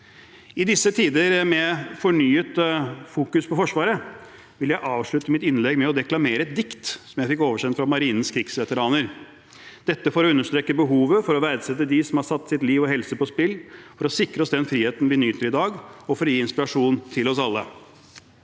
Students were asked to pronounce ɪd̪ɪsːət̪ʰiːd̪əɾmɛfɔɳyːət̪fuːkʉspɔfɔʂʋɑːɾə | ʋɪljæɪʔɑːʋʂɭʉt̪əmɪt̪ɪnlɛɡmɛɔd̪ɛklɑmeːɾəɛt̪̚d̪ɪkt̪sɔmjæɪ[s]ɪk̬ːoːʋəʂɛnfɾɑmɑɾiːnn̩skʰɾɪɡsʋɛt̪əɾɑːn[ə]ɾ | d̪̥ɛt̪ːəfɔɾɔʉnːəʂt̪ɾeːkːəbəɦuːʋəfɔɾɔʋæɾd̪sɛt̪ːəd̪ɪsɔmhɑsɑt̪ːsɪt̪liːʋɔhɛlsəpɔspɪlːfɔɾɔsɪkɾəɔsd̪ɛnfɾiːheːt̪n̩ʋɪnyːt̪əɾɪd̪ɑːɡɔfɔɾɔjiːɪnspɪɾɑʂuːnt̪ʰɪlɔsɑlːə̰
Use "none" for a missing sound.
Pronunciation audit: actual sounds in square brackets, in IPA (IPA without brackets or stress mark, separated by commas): f, ə